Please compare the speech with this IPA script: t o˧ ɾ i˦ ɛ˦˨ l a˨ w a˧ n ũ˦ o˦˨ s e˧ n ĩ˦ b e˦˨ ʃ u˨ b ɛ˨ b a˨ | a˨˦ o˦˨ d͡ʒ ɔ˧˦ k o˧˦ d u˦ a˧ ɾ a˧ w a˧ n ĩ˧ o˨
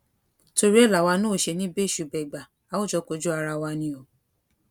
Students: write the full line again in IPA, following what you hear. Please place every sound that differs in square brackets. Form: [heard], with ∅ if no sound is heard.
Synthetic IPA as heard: t o˧ ɾ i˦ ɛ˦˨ l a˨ w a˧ n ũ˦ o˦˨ [ʃ] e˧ n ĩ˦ b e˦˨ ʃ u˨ b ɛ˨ [ɡ͡b] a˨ | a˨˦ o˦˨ d͡ʒ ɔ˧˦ k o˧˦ [d͡ʒ] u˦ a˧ ɾ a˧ w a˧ n ĩ˧ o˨